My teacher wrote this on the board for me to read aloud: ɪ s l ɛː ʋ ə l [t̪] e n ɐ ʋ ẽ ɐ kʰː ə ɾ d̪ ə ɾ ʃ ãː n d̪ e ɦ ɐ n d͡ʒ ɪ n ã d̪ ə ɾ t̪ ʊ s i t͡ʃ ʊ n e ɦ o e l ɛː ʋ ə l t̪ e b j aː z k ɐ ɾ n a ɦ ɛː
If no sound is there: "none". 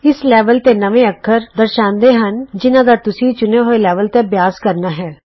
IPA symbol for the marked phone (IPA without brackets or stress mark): t̪